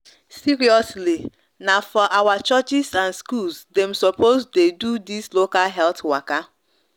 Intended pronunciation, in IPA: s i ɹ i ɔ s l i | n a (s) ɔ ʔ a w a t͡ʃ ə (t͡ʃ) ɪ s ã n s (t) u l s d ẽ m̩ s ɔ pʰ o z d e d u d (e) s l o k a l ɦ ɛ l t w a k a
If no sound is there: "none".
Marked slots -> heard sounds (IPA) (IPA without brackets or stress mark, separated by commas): f, t͡ʃ, k, i